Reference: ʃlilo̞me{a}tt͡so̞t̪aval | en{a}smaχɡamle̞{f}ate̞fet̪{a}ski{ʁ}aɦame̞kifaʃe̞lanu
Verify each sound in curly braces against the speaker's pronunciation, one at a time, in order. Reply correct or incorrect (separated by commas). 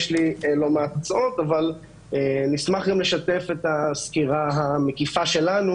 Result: correct, incorrect, incorrect, correct, correct